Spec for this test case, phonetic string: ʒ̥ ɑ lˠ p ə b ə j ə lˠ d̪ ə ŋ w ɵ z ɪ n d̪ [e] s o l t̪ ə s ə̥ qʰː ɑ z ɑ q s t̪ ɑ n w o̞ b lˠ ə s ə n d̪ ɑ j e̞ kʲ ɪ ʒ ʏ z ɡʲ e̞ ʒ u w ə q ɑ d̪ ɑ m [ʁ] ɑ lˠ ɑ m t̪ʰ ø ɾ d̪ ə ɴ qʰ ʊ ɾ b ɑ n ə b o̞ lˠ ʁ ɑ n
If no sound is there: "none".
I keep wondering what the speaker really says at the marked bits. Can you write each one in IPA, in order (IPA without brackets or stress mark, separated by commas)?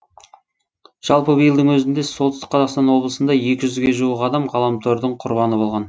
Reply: e, ʁ